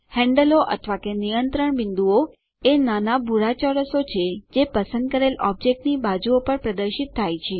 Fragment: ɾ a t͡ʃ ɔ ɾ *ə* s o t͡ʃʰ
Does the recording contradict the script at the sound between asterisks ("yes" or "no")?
no